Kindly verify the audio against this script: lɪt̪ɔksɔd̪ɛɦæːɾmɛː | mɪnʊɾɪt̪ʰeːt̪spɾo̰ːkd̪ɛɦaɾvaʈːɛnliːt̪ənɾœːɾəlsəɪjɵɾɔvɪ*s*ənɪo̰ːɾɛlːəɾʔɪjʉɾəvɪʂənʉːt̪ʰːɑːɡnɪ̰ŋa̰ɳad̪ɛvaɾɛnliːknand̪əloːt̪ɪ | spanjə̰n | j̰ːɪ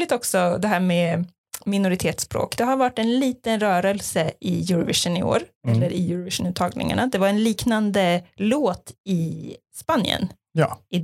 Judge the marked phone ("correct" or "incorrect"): incorrect